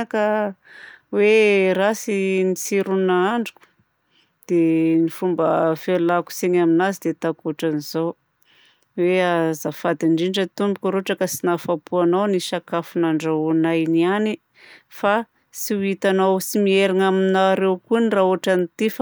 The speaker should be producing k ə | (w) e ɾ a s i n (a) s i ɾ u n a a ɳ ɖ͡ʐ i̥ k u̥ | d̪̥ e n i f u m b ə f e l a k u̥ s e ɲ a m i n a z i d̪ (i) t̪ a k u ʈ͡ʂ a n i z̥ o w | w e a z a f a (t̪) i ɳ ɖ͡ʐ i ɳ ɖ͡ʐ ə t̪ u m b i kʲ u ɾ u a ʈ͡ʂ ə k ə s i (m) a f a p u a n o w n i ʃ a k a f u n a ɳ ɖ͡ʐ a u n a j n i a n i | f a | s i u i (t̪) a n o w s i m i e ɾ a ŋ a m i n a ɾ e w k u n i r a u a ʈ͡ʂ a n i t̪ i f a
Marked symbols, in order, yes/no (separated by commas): yes, no, no, no, no, yes